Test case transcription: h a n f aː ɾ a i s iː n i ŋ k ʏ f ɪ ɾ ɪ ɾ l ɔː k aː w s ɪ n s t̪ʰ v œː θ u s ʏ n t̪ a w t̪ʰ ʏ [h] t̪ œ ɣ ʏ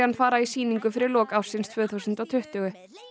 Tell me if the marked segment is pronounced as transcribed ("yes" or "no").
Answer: yes